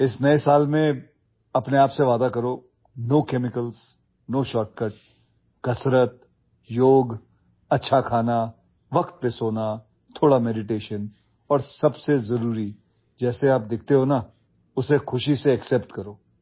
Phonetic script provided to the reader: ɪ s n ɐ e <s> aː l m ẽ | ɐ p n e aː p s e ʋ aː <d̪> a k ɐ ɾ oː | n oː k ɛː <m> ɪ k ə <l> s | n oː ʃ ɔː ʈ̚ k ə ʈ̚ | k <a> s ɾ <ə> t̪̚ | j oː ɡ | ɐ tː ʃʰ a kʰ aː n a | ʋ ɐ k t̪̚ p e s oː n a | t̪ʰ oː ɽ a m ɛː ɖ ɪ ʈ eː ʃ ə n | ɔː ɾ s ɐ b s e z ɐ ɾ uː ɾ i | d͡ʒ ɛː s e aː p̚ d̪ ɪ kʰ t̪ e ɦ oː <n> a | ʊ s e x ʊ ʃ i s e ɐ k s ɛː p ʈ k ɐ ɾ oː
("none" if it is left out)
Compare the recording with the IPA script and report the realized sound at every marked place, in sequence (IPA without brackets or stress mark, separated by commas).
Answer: s, d̪, m, l, ɐ, ə, n